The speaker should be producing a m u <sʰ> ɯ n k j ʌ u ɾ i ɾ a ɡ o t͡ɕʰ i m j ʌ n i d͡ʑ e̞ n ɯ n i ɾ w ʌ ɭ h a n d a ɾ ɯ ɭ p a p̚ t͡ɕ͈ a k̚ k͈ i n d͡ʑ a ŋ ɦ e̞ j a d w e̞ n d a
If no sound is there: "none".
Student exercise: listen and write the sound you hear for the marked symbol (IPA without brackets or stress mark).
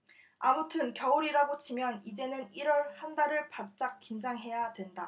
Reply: tʰ